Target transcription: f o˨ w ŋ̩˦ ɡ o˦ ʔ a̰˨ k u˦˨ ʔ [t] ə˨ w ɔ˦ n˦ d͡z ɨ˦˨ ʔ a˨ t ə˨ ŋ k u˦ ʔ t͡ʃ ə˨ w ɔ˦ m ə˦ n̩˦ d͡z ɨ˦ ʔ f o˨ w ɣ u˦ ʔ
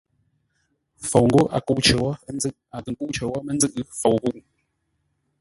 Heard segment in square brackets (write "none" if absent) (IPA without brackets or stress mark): t͡ʃ